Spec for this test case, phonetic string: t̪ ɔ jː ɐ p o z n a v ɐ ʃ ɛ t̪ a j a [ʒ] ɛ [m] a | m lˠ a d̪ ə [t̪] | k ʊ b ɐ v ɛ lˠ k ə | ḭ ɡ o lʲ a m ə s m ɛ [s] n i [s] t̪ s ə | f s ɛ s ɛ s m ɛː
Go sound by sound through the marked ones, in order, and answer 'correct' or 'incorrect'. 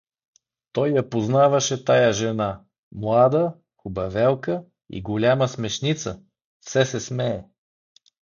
correct, incorrect: n, incorrect: none, incorrect: ʃ, incorrect: none

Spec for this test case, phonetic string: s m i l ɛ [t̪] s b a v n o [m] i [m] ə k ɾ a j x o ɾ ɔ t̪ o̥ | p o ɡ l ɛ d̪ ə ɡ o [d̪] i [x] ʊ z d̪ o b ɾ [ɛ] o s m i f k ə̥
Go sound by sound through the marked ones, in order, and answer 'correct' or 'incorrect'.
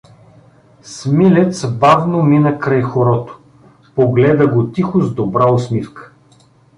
correct, correct, incorrect: n, incorrect: t̪, correct, incorrect: a

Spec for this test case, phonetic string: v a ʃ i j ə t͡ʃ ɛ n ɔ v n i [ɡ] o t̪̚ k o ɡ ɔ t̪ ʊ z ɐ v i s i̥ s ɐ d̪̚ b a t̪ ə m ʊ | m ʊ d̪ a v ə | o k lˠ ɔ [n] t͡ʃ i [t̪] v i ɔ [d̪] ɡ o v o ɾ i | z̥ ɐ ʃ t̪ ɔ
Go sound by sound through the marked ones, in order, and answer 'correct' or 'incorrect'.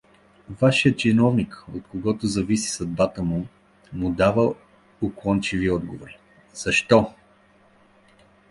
incorrect: k, correct, incorrect: none, correct

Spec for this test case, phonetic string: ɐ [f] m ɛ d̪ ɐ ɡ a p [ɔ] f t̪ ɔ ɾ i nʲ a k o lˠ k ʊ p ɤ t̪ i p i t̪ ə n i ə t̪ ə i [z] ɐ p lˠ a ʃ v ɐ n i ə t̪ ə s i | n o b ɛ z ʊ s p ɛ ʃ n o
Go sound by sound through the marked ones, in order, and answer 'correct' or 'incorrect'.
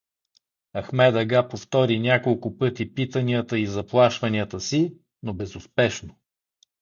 incorrect: x, incorrect: o, correct

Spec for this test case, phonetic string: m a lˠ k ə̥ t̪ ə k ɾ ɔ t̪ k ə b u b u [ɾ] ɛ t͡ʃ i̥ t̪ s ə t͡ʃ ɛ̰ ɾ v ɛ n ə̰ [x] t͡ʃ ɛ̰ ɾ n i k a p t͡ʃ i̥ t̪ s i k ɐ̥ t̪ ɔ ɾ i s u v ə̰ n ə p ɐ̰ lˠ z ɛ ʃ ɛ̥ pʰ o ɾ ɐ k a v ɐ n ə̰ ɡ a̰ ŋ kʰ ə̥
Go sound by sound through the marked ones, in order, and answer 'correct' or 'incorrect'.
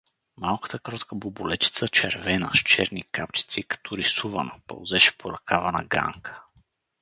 incorrect: l, incorrect: ʃ

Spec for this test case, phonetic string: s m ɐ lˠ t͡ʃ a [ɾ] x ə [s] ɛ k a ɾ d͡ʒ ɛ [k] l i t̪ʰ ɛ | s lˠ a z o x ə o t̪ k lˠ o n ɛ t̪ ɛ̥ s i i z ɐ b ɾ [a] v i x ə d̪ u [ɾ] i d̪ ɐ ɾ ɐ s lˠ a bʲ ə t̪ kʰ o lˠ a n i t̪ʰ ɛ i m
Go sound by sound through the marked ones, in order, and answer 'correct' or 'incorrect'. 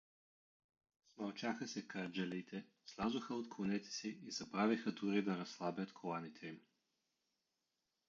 incorrect: none, correct, incorrect: none, correct, correct

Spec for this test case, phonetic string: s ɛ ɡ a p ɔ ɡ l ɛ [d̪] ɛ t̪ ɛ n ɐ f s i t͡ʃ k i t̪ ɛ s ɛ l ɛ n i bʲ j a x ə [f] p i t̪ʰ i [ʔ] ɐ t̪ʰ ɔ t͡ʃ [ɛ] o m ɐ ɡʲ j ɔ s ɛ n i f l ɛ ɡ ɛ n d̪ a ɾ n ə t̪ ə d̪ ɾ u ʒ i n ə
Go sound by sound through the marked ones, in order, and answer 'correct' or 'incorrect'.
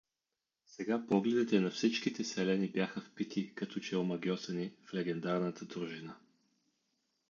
correct, correct, incorrect: k, correct

